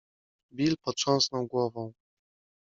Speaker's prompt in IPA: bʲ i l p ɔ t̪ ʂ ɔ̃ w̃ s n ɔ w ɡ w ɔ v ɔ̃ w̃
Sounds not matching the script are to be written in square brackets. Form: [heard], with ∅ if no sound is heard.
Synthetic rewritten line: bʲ i l p ɔ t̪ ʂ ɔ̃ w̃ s n ɔ w ɡ w ɔ v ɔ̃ w̃